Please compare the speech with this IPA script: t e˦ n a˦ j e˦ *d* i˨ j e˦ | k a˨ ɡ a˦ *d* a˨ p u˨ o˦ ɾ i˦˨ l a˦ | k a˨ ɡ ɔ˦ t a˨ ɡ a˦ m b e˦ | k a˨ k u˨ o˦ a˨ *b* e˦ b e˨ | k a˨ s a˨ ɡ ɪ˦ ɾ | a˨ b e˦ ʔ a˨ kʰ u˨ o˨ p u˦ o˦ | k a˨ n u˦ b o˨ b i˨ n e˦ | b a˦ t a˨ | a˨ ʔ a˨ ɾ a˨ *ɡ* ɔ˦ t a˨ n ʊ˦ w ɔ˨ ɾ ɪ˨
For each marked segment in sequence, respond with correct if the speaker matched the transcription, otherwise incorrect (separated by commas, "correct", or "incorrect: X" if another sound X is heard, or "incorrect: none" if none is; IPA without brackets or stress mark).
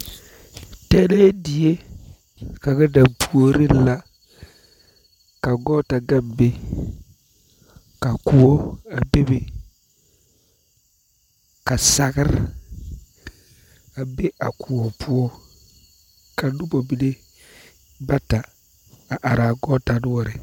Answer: correct, correct, correct, correct